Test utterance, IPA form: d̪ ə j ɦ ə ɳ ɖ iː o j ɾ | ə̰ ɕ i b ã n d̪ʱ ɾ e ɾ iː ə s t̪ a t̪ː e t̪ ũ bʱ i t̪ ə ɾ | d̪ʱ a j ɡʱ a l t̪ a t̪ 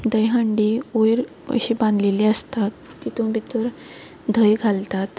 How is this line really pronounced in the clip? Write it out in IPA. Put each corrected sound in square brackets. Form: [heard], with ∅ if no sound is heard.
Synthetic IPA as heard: d̪ ə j ɦ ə ɳ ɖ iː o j ɾ | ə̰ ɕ i b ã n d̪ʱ [l] e [l] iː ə s t̪ a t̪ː [i] t̪ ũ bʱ i t̪ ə ɾ | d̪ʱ [ə] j ɡʱ a l t̪ a t̪